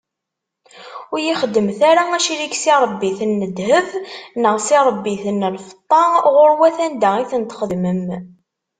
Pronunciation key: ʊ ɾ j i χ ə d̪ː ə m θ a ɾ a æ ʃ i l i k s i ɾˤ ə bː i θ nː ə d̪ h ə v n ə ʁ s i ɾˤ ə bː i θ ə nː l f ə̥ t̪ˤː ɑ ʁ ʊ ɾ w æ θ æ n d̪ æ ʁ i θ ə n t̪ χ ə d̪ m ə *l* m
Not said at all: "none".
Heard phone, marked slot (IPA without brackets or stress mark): none